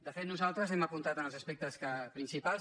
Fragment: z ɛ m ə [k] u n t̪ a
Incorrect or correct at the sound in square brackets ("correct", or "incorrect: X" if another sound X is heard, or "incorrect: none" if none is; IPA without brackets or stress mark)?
incorrect: p